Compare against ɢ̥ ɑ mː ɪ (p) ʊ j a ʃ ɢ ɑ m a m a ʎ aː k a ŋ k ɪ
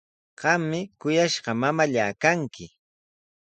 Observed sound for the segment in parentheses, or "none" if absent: k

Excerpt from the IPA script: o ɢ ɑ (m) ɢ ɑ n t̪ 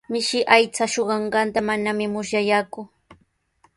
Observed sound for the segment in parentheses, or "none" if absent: ɴ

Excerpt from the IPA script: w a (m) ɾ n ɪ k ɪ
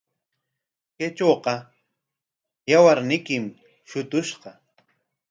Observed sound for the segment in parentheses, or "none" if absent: none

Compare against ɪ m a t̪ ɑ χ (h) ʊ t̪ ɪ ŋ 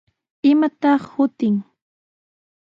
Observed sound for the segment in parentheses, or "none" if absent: h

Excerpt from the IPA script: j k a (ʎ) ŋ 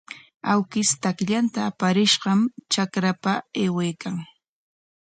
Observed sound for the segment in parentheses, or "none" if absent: none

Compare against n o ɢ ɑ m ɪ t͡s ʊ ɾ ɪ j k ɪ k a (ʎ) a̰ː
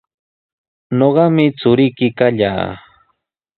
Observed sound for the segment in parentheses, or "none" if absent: ʎ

